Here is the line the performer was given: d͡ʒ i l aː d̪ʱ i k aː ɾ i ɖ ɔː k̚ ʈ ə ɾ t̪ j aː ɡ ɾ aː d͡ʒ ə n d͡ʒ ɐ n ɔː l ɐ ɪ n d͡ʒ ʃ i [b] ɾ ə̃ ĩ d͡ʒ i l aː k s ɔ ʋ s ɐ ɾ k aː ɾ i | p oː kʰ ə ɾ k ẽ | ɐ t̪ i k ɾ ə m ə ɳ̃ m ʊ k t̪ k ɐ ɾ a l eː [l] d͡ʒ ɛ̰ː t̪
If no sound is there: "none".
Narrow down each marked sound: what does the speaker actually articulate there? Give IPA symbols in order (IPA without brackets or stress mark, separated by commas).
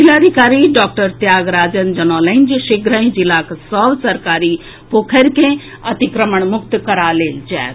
ɡ, l